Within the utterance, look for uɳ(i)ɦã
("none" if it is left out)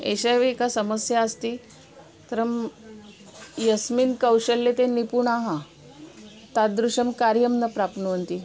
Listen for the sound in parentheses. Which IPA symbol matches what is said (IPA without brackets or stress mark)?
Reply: a